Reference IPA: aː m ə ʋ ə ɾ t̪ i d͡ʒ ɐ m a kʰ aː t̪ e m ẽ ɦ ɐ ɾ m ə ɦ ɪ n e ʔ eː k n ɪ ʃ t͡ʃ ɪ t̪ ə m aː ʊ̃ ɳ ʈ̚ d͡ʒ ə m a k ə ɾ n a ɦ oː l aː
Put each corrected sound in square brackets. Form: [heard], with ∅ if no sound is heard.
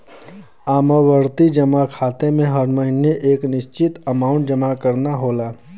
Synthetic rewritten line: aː m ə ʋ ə ɾ t̪ i d͡ʒ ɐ m a kʰ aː t̪ e m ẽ ɦ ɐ ɾ m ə ɦ ɪ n e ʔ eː k n ɪ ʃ t͡ʃ ɪ t̪ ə m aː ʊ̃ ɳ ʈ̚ d͡ʒ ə m a k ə ɾ n a ɦ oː l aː